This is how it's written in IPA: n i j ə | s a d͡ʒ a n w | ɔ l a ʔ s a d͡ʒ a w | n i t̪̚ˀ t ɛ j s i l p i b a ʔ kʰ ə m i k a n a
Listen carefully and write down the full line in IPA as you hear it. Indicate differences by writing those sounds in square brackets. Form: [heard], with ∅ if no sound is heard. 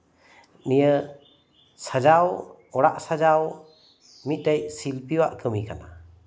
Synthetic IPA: n i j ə | s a d͡ʒ a [∅] w | ɔ [ɽ] a ʔ s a d͡ʒ a w | [m] i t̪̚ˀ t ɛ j s i l p i [w] a ʔ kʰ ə m i k a n a